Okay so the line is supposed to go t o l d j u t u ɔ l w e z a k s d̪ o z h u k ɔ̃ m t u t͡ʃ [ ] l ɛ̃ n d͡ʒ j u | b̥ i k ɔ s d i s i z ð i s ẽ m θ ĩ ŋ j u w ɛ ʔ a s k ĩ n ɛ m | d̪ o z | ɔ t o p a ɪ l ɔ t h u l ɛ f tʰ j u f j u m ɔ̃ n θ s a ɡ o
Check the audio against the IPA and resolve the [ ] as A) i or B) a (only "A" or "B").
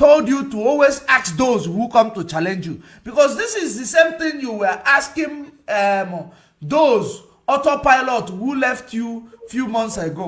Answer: B